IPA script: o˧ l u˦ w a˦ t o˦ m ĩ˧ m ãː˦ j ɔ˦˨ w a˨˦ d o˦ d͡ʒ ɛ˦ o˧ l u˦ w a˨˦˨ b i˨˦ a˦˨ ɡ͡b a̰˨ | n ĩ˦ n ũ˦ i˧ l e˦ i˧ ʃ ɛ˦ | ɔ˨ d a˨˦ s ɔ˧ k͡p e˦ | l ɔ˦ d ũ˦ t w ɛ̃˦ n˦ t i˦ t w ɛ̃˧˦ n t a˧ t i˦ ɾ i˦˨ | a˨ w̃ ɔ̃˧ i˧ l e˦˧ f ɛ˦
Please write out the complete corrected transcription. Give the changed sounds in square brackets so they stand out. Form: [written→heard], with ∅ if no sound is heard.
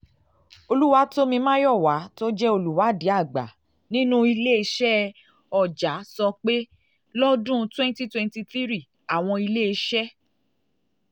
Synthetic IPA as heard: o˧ l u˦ w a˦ t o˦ m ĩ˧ m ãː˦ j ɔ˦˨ w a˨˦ [d→t] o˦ d͡ʒ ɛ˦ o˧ l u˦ w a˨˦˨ [b→d] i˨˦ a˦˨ ɡ͡b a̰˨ | n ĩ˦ n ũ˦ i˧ l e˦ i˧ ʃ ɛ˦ | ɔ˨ [d→d͡ʒ] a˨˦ s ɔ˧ k͡p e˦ | l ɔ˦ d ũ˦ t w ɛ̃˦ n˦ t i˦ t w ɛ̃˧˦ n t [a˧→i˧] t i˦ ɾ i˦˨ | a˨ w̃ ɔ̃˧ i˧ l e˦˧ [f→ʃ] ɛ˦

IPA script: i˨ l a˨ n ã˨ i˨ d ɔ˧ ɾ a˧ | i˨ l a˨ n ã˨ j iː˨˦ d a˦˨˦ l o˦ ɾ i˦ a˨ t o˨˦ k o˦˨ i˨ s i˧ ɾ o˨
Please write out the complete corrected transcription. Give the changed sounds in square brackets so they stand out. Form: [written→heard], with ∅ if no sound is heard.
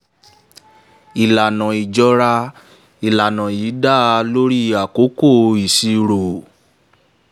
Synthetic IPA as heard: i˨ l a˨ n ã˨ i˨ [d→d͡ʒ] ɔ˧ ɾ a˧ | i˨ l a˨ n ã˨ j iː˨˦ d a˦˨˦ l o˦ ɾ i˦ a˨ [t→k] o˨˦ k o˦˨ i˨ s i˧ ɾ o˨

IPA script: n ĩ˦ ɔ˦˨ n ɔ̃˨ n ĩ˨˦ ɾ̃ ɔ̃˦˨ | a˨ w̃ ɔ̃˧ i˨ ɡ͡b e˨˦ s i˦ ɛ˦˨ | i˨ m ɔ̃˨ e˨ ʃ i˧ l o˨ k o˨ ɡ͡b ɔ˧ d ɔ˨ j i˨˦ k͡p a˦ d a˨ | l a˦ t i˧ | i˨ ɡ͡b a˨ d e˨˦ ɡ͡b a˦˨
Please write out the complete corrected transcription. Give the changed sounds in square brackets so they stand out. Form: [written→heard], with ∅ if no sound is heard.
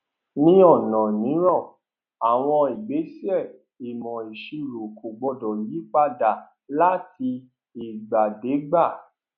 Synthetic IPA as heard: n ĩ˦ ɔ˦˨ n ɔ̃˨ n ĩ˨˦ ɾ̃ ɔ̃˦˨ | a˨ w̃ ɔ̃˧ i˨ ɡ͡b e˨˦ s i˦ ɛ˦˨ | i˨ m ɔ̃˨ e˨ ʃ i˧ [l→ɾ] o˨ k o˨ ɡ͡b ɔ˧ d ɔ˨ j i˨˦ k͡p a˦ d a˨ | l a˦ t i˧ | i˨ ɡ͡b a˨ d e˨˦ ɡ͡b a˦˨

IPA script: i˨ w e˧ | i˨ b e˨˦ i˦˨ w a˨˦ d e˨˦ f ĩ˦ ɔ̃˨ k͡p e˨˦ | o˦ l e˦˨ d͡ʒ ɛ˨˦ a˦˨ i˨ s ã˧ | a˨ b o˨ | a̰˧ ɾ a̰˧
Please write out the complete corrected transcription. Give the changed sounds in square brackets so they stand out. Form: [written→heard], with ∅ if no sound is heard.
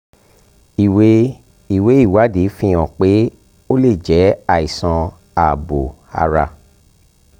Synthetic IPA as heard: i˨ w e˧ | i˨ [b→w] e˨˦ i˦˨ w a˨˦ d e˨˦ f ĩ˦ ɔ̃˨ k͡p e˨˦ | o˦ l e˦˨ d͡ʒ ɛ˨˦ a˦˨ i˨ s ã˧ | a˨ b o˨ | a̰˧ ɾ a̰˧

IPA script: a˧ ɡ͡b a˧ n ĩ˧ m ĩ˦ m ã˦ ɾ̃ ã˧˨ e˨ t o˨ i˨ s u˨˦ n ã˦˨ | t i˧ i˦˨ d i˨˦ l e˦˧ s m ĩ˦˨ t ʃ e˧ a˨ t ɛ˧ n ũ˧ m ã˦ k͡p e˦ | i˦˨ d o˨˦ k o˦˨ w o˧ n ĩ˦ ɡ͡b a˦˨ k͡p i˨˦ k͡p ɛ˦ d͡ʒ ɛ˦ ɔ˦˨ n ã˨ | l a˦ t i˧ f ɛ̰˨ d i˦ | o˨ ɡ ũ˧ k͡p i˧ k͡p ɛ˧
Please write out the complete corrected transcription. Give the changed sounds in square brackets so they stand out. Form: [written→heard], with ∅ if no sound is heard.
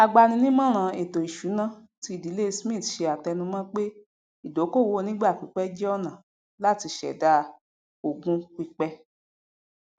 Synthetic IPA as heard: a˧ ɡ͡b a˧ n ĩ˧ [m→n] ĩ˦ m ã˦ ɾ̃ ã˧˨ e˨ t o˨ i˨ [s→ʃ] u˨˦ n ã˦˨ | t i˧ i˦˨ d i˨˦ l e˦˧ s m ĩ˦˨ t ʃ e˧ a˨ t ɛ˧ n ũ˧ m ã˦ k͡p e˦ | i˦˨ d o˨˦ k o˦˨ w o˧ n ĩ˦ ɡ͡b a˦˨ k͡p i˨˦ k͡p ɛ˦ d͡ʒ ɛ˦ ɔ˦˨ n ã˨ | l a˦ t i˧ [f→ʃ] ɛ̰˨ d [i˦→a˦] | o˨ ɡ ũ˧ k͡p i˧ k͡p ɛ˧

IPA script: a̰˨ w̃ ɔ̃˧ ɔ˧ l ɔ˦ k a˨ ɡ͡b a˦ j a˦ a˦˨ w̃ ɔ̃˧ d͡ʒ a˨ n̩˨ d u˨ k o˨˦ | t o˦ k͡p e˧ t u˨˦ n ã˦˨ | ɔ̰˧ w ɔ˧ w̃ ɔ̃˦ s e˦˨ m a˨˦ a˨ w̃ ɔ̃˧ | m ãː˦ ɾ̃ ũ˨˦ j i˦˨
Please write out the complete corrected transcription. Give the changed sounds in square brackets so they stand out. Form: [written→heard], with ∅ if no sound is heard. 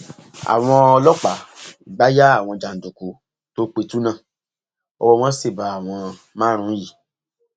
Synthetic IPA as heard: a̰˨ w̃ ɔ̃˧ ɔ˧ l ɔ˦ [k→k͡p] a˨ ɡ͡b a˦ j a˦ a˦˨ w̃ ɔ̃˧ d͡ʒ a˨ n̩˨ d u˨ k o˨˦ | t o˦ k͡p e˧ t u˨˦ n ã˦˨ | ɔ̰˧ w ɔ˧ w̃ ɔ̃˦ s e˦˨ [m→b] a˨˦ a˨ w̃ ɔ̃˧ | m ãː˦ ɾ̃ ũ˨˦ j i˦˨

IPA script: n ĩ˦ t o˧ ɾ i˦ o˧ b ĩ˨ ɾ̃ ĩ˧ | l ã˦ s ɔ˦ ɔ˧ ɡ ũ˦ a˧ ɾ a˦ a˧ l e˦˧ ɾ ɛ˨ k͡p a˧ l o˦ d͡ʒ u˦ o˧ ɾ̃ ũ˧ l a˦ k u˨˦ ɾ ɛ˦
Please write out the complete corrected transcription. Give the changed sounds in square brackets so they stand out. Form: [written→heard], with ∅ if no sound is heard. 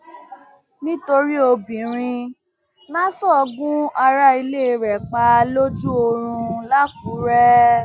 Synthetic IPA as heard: n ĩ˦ t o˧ ɾ i˦ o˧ b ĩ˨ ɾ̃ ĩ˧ | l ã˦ s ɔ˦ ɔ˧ ɡ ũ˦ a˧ ɾ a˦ [a˧→i˧] l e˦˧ ɾ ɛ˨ k͡p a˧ l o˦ d͡ʒ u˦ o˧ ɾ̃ ũ˧ l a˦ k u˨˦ ɾ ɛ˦

